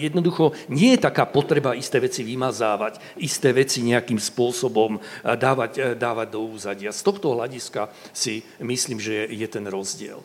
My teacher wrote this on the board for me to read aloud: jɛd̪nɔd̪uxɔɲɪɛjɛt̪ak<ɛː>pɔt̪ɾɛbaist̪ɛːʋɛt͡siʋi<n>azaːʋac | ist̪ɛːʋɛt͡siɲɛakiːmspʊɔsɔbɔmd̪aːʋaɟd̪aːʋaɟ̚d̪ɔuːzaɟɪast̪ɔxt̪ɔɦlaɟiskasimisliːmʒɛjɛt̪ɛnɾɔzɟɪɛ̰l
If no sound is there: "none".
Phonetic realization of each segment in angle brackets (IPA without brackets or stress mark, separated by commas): aː, m